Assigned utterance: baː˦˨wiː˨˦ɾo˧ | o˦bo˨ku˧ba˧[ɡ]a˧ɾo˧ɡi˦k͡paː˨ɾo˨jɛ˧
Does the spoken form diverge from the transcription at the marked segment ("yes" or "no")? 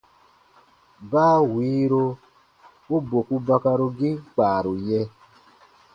yes